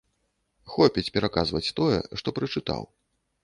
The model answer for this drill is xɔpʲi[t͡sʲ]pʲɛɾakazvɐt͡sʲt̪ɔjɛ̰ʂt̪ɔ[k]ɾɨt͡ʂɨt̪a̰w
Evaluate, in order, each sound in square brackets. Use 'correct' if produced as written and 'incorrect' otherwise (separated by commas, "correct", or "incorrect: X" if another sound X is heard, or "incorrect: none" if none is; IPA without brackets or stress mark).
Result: correct, incorrect: p